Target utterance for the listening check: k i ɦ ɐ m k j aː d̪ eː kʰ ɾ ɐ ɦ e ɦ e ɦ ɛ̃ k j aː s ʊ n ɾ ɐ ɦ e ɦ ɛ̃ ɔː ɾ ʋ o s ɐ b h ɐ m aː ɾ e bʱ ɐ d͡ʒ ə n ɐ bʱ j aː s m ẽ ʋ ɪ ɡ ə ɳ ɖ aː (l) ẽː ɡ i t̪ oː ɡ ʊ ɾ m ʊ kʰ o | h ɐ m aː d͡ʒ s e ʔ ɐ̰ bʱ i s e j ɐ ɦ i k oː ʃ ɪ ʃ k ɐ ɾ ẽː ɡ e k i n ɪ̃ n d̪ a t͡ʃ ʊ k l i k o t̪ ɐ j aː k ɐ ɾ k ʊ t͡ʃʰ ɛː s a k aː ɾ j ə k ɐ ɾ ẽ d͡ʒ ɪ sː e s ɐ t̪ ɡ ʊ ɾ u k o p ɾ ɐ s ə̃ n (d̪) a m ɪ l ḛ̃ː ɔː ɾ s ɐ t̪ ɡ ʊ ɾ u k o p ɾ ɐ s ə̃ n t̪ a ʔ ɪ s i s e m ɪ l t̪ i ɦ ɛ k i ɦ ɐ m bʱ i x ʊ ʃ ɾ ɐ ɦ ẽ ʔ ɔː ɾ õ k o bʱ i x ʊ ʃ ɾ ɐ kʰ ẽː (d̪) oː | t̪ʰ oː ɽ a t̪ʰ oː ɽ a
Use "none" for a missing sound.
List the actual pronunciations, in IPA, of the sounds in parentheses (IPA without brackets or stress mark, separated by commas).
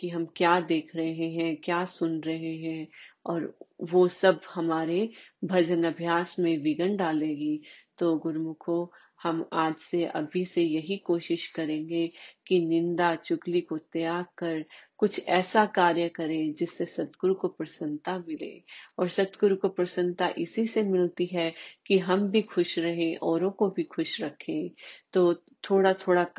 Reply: l, t̪, t̪